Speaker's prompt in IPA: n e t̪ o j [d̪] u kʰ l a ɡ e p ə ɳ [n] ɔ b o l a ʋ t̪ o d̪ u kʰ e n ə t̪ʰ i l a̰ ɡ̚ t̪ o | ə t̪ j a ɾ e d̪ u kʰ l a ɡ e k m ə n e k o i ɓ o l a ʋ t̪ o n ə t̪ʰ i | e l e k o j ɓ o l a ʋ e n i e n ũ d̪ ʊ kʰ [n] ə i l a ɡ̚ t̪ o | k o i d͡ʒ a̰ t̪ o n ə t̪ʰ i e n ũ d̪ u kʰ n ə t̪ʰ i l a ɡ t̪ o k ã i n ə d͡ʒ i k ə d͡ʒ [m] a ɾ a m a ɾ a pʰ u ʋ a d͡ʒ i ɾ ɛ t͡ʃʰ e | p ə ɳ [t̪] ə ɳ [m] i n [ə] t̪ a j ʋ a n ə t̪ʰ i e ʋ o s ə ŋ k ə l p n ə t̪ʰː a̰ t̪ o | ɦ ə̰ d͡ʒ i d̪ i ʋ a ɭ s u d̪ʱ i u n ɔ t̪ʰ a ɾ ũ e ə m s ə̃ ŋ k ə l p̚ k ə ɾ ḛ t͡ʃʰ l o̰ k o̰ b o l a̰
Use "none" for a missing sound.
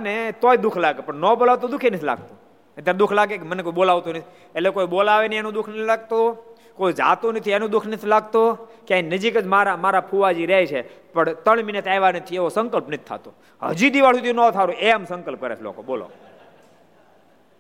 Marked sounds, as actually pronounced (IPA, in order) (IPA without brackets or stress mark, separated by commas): d̪, n, n, m, t̪, m, ə